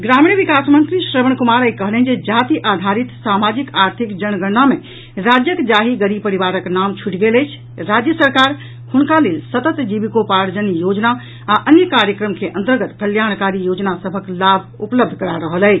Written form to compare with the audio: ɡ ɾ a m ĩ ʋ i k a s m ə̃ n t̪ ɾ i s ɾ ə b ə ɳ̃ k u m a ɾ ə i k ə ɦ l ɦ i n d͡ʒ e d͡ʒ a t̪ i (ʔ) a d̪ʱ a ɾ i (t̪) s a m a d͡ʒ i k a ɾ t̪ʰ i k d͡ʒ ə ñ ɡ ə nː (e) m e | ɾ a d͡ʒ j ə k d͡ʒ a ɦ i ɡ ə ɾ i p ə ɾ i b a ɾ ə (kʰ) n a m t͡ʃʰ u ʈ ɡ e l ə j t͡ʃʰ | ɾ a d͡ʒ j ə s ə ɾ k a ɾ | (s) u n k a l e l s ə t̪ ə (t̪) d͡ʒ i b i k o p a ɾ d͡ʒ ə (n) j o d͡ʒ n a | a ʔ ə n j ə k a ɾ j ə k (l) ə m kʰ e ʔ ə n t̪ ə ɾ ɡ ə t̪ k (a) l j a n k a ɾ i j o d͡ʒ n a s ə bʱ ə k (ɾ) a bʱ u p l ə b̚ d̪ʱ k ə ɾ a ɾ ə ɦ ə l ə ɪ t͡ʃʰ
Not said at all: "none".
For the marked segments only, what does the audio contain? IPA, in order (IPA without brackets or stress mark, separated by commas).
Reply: ʔ, t̪, a, k, h, t̪, n, ɾ, ə, l